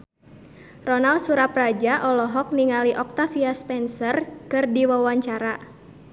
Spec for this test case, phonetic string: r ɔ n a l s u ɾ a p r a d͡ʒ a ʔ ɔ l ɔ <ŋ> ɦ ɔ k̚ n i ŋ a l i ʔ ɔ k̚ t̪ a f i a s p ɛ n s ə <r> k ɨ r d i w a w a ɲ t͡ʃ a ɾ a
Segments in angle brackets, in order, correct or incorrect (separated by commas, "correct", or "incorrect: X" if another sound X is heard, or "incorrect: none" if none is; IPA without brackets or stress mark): incorrect: none, correct